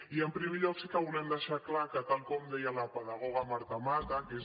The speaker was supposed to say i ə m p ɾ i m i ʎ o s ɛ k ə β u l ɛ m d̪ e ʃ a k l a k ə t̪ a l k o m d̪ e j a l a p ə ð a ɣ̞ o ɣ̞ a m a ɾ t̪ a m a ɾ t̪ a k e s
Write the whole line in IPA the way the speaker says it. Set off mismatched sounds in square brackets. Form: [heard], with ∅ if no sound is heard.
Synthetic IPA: i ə m p ɾ i m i ʎ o s [i] k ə β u l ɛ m d̪ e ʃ a k l a k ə t̪ a l k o m d̪ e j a l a p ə ð a ɣ̞ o ɣ̞ a m a ɾ t̪ a m a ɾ t̪ a k e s